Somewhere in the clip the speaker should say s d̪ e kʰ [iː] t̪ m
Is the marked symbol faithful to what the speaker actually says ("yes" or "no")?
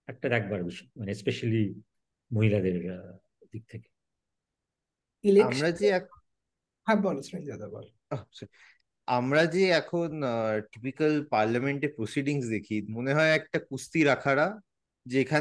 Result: yes